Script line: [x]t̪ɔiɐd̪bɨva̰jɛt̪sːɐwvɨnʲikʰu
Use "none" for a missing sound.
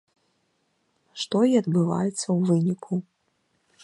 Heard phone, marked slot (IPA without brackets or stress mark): ʂ